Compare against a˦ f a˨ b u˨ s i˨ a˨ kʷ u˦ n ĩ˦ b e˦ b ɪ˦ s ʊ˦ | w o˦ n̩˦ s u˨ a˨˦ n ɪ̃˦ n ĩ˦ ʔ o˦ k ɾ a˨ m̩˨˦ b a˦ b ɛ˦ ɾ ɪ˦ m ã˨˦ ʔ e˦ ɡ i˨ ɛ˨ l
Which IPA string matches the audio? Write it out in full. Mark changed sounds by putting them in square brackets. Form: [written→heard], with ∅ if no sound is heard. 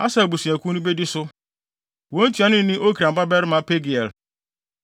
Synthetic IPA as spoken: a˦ [f→s] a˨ b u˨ s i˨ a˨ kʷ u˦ n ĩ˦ b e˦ [b→d] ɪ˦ s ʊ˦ | w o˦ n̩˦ [s→t] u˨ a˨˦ n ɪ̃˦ n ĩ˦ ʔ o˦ k ɾ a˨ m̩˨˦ b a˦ b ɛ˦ ɾ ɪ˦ m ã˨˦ [ʔ→p] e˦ ɡ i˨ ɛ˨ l